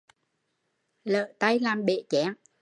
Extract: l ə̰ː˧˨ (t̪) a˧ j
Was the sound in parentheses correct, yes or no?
yes